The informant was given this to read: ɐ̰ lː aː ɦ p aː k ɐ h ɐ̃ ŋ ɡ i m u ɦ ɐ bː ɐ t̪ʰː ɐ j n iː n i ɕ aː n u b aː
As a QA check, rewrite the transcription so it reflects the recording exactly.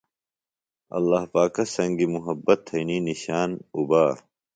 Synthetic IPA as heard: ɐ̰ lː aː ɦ p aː k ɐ s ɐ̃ ŋ ɡ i m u ɦ ɐ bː ɐ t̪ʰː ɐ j n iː n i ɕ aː n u b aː